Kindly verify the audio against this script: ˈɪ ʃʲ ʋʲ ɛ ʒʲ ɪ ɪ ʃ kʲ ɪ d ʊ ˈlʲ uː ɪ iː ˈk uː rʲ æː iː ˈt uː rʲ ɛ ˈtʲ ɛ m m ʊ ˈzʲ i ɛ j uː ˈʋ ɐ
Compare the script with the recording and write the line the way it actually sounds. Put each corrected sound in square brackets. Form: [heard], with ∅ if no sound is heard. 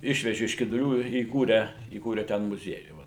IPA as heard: ˈɪ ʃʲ ʋʲ ɛ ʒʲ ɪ ɪ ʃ kʲ ɪ d ʊ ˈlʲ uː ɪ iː ˈk uː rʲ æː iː [ˈk] uː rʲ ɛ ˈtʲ ɛ [n] m ʊ ˈzʲ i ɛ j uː ˈʋ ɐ